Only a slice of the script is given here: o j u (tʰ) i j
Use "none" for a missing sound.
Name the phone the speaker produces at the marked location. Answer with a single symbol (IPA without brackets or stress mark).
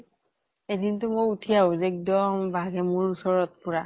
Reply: tʰ